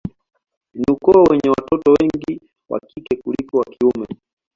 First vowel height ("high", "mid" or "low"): high